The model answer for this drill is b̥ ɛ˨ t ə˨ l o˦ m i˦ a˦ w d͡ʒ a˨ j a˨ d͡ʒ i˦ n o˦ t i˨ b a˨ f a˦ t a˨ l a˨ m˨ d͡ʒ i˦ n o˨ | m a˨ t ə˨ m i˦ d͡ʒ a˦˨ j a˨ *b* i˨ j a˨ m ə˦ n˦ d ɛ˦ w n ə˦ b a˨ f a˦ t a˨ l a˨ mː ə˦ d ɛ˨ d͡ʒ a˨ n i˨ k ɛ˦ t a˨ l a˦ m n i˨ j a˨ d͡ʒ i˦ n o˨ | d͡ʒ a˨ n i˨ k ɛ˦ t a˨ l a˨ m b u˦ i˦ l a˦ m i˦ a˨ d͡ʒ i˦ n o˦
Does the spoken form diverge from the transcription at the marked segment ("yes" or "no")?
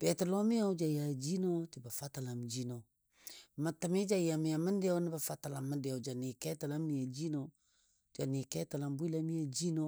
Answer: yes